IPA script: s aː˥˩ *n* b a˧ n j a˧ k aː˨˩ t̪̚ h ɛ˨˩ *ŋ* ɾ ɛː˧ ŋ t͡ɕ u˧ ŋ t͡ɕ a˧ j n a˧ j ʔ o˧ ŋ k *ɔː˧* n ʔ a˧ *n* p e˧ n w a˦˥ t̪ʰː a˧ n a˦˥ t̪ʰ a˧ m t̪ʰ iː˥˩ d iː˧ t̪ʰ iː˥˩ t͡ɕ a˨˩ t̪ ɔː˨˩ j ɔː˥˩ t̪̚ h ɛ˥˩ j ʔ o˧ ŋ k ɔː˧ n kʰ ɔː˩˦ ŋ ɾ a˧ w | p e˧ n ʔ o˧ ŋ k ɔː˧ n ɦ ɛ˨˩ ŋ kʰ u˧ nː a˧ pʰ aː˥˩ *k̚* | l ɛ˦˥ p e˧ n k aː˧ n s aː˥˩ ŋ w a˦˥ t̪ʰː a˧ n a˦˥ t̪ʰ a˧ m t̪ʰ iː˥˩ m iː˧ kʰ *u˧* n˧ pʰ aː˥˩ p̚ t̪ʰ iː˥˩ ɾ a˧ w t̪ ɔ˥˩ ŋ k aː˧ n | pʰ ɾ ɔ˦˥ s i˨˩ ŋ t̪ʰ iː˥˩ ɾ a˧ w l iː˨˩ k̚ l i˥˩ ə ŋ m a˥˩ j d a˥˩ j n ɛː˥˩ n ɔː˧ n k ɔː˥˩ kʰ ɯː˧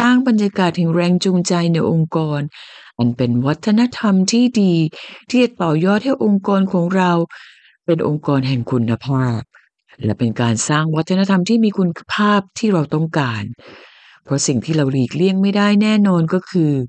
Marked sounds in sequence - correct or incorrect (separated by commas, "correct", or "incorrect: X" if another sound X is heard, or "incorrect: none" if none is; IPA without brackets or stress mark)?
incorrect: ŋ, correct, correct, correct, incorrect: p̚, correct